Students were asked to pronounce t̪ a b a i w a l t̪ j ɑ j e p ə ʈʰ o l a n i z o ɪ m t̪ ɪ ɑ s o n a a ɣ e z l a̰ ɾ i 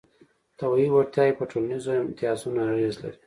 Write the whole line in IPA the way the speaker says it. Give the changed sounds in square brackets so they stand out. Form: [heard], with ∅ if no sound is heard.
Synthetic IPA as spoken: t̪ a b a i w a [ɾ] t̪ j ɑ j e p ə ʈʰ o l a n i z o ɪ m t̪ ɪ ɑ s [u] n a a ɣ e z l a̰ ɾ i